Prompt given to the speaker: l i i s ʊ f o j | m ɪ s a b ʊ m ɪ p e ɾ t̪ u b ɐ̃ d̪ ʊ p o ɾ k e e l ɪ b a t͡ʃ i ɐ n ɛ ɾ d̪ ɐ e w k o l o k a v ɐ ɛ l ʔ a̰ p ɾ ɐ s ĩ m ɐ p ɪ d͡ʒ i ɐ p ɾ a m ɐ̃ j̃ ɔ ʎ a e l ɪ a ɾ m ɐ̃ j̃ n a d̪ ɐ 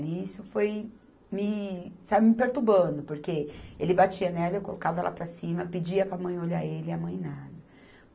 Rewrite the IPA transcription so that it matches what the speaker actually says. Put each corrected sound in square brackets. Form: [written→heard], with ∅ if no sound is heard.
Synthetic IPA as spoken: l i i s ʊ f o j | m ɪ s a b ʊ m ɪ p e ɾ t̪ u b ɐ̃ d̪ ʊ p o ɾ k e e l ɪ b a t͡ʃ i ɐ n ɛ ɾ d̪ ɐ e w k o l o k a v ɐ ɛ l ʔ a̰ p ɾ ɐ s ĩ m ɐ p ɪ d͡ʒ i ɐ p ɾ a m ɐ̃ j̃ [ɔ→o] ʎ a e l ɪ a [ɾ→∅] m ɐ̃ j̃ n a d̪ ɐ

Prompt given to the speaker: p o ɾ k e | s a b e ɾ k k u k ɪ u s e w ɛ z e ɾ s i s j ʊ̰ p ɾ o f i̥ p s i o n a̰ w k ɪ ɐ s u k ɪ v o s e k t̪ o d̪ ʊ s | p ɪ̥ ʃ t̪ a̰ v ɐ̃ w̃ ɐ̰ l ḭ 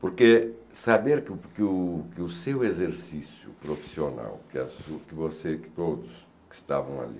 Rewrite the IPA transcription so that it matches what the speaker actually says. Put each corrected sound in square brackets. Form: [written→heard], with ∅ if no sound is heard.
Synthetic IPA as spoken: p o ɾ k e | s a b e ɾ k k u k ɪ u s e w [ɛ→e] z e ɾ s i s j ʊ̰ p ɾ o f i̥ [p→∅] s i o n a̰ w k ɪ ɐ s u k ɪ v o s e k t̪ o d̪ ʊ s | [p→k] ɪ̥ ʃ t̪ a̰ v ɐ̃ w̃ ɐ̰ l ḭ

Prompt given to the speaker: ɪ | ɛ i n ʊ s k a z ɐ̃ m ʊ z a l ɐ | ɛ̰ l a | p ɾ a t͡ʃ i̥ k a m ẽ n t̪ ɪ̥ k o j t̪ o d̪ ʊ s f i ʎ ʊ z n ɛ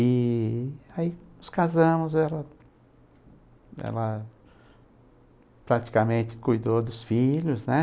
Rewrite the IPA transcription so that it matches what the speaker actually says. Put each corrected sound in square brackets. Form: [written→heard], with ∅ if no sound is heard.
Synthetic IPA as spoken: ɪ | [ɛ→a] i n ʊ s k a z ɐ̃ m ʊ z [a→ɛ] l ɐ | ɛ̰ l [a→ɐ] | p ɾ a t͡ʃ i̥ k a m ẽ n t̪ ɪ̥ k [o→u] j [t̪→d̪] o d̪ ʊ s f i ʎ ʊ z n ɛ

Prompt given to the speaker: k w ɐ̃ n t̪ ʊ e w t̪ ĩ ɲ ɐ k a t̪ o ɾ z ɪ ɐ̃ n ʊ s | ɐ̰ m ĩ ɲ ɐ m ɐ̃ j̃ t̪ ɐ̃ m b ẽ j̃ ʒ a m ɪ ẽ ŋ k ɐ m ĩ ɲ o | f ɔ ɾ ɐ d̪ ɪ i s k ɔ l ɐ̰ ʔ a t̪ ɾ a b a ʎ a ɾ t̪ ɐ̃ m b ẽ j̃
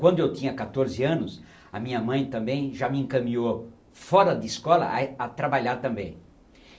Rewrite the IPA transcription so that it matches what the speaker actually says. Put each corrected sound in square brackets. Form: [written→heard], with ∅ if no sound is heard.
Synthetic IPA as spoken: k w ɐ̃ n [t̪→d̪] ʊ e w t̪ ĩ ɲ ɐ k a t̪ o ɾ z ɪ ɐ̃ n ʊ s | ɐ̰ m ĩ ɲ ɐ m ɐ̃ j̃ t̪ ɐ̃ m b ẽ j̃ ʒ a m ɪ ẽ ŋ k ɐ m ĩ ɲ o | f ɔ ɾ ɐ d̪ ɪ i s k ɔ l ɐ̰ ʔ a t̪ ɾ a b a ʎ a ɾ t̪ ɐ̃ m b ẽ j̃

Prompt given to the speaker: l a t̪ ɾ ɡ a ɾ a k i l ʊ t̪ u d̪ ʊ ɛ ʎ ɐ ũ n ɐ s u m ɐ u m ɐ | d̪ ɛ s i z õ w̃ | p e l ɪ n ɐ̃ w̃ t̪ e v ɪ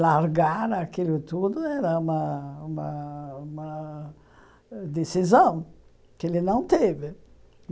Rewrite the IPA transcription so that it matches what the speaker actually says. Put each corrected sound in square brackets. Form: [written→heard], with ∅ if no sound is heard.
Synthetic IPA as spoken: l a [t̪→∅] ɾ ɡ a ɾ a k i l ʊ t̪ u d̪ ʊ ɛ [ʎ→ɾ] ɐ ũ [n→m] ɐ [s→∅] u m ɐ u m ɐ | d̪ [ɛ→e] s i z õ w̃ | [p→k] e l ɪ n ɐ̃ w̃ t̪ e v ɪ

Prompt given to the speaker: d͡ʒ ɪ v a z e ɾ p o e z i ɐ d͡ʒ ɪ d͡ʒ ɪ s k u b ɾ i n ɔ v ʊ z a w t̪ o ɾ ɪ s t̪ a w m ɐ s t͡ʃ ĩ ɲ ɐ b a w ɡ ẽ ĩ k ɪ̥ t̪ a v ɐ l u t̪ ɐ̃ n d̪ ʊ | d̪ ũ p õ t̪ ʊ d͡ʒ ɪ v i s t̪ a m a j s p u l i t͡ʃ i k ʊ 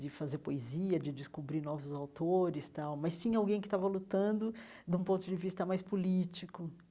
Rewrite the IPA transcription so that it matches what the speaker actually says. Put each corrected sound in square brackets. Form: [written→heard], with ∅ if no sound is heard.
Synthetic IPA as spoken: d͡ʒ ɪ [v→f] a z e ɾ p o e z i ɐ d͡ʒ ɪ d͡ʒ ɪ s k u b ɾ i n ɔ v ʊ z a w t̪ o ɾ ɪ s t̪ a w m ɐ s t͡ʃ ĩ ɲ ɐ [b→∅] a w ɡ ẽ [ĩ→j̃] k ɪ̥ t̪ a v ɐ l u t̪ ɐ̃ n d̪ ʊ | d̪ ũ p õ t̪ ʊ d͡ʒ ɪ v i s t̪ [a→ɐ] m a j s p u l i t͡ʃ i k ʊ

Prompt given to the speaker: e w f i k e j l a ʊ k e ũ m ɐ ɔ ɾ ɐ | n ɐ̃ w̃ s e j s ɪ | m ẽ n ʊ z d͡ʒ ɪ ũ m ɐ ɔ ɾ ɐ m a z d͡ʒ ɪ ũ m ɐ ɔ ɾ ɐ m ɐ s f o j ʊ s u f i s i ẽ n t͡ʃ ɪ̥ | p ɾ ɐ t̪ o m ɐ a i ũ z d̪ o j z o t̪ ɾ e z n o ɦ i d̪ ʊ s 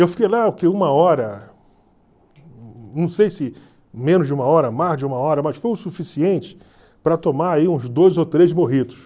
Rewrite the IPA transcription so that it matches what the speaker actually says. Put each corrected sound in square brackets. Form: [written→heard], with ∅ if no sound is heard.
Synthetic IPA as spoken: e w f i k e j l a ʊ k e ũ m ɐ ɔ ɾ ɐ | n ɐ̃ w̃ s e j s ɪ | m ẽ n ʊ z d͡ʒ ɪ ũ m ɐ ɔ ɾ ɐ m a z d͡ʒ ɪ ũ m ɐ ɔ ɾ ɐ m ɐ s f o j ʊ s u f i s i ẽ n t͡ʃ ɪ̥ | p ɾ ɐ t̪ o m [ɐ→a] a i ũ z d̪ o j z o t̪ ɾ e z [n→m] o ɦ i d̪ ʊ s

